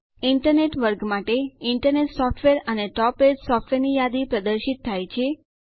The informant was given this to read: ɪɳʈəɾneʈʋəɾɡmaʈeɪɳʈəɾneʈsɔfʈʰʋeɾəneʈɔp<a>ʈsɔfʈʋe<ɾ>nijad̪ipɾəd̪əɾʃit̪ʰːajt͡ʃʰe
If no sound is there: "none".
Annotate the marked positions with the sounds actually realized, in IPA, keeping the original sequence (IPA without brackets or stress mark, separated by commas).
e, ɾ